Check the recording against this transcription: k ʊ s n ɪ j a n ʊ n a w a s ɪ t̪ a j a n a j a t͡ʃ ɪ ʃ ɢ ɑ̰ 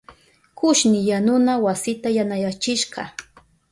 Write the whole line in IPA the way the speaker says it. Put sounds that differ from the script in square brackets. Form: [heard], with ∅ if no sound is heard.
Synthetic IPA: k ʊ [ʃ] n ɪ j a n ʊ n a w a s ɪ t̪ a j a n a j a t͡ʃ ɪ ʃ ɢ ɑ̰